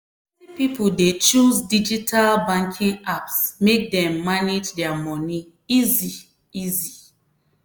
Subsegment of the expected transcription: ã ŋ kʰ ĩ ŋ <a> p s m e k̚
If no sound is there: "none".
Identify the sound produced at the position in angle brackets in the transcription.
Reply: a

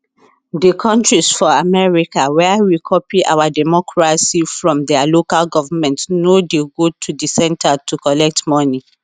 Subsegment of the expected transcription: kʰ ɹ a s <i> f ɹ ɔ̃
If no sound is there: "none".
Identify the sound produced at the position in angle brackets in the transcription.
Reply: i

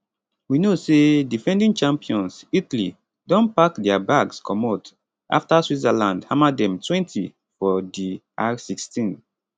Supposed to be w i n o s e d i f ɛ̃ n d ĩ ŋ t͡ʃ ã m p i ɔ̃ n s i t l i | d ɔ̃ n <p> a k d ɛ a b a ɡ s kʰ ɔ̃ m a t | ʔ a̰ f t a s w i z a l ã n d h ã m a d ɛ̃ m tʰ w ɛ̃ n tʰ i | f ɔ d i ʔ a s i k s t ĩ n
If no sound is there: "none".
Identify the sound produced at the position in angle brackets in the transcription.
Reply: p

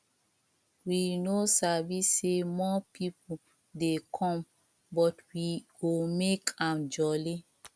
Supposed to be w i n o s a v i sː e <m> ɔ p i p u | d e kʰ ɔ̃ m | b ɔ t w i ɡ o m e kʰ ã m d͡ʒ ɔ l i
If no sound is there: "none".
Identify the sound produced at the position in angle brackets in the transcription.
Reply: m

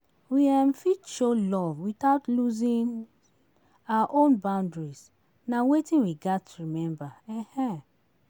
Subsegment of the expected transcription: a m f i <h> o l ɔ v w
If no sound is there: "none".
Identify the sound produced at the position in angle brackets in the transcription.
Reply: ʃ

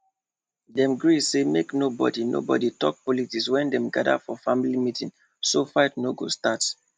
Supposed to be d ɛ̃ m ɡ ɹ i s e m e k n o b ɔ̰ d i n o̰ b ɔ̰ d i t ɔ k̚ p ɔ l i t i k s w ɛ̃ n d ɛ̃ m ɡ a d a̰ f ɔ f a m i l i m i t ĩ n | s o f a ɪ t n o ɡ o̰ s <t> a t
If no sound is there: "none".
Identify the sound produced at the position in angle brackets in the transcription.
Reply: t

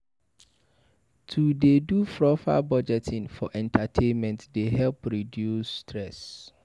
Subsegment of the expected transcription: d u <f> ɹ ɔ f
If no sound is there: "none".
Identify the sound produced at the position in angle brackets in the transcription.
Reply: f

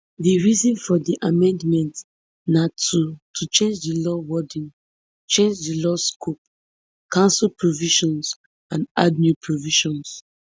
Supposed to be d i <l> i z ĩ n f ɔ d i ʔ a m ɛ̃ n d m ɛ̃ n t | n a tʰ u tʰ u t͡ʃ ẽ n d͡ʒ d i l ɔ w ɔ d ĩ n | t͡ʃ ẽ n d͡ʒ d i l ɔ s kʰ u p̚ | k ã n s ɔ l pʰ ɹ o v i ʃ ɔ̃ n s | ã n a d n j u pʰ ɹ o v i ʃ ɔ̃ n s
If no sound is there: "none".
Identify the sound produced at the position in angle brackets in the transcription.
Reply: ɹ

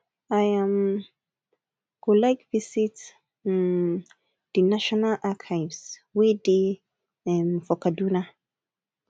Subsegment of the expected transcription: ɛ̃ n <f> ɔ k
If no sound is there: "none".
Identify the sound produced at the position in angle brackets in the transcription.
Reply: f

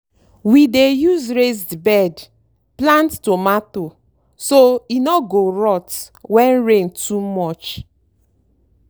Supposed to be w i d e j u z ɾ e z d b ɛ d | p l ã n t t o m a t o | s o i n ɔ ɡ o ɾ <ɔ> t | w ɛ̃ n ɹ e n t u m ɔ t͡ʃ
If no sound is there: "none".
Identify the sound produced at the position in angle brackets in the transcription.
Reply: ɔ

